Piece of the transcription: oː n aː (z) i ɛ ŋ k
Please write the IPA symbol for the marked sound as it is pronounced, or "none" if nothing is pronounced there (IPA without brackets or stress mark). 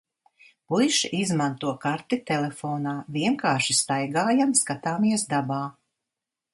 v